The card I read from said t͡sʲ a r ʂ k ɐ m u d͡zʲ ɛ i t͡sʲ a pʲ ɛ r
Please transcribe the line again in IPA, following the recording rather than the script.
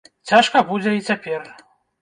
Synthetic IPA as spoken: t͡sʲ a ʂ k ɐ b u d͡zʲ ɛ i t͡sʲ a pʲ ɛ r